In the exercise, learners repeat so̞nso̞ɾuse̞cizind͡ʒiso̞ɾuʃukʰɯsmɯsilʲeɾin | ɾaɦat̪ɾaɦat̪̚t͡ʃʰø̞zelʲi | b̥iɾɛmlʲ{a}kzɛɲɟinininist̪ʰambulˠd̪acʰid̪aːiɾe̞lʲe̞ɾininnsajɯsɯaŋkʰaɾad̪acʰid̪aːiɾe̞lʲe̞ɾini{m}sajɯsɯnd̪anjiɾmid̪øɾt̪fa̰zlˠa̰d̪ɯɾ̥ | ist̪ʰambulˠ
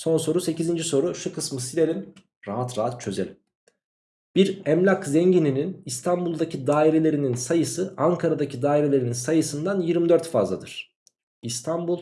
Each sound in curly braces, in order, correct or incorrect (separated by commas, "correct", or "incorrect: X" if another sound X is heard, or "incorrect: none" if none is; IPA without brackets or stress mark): correct, incorrect: n